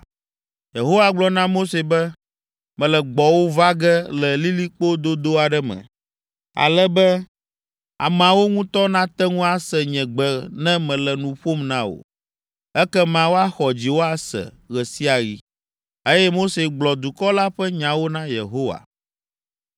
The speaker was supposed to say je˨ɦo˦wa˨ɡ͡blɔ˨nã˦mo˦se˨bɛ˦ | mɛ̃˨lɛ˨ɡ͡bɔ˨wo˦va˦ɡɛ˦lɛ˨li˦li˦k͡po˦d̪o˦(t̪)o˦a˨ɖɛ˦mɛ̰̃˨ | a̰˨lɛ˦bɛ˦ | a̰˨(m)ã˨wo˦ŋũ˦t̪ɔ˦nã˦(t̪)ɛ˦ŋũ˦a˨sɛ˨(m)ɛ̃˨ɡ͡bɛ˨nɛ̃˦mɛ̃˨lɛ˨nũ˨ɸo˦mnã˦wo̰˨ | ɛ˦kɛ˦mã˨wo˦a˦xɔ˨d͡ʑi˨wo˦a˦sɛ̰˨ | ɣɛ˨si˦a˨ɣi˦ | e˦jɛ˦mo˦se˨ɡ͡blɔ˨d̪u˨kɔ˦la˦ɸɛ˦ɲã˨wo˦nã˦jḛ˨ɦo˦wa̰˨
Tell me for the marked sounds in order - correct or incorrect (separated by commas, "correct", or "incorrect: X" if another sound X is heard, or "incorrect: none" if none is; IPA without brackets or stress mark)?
incorrect: d̪, correct, correct, incorrect: ɲ